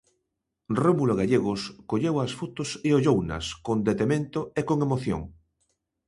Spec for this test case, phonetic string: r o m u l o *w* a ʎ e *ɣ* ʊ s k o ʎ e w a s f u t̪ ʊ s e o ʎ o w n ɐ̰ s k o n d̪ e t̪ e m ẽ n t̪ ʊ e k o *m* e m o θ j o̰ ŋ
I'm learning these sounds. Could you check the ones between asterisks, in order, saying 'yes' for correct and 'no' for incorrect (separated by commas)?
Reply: no, yes, no